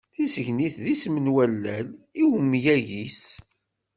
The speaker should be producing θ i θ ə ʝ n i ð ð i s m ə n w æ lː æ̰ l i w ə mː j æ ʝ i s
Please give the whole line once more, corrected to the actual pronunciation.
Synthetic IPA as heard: θ i s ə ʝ n i θ ð i s m ə n w æ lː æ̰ l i w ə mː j æ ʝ i s